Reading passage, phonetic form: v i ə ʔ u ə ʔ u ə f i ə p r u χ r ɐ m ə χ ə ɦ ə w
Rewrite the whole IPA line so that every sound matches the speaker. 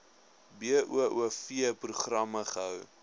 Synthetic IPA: b i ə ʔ u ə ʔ u ə f i ə p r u χ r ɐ m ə χ ə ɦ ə w